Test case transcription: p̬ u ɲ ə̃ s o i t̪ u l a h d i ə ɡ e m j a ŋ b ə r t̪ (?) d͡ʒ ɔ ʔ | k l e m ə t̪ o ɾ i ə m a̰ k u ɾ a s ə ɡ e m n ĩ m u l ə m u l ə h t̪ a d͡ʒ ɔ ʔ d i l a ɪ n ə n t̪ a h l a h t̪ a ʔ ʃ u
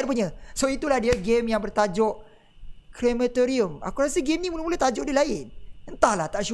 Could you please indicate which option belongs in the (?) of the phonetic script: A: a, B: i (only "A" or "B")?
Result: A